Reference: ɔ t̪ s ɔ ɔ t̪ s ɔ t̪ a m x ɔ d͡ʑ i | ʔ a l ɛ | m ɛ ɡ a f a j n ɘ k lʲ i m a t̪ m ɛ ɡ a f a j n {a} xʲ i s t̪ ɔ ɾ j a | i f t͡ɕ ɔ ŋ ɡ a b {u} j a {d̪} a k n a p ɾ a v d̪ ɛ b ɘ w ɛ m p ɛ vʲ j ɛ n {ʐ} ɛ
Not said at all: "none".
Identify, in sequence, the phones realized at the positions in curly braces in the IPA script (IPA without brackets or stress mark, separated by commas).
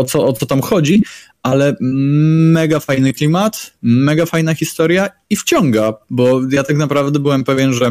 a, ɔ, t̪, ʐ